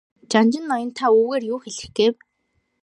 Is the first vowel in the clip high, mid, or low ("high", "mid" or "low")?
low